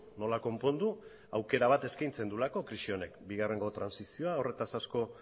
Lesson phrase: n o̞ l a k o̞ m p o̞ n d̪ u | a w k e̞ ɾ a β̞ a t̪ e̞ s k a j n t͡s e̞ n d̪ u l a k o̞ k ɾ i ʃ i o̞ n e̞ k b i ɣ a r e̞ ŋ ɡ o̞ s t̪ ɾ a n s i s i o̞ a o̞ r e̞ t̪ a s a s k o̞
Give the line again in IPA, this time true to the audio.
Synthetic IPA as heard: n o̞ l a k o̞ m p o̞ n d̪ u | a w k e̞ ɾ a β̞ a t̪ e̞ s k a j n t͡s e̞ n d̪ u l a k o̞ k ɾ i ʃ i o̞ n e̞ k b i ɣ a r e̞ ŋ ɡ o̞ t̪ ɾ a n s i s i o̞ a o̞ r e̞ t̪ a s a s k o̞